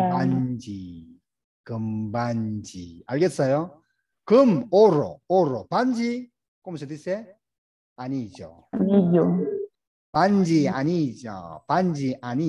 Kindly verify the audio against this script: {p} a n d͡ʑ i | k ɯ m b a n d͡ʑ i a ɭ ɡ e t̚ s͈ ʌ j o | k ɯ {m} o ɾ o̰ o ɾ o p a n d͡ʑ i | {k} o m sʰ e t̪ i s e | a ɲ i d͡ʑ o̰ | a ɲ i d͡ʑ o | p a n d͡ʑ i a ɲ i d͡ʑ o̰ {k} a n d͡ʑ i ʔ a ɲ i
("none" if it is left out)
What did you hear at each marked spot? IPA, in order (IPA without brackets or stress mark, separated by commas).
p, m, k, p